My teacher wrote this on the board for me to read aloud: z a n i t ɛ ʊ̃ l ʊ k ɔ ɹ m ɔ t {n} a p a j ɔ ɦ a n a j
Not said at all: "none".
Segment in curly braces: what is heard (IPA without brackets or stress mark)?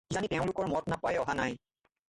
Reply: n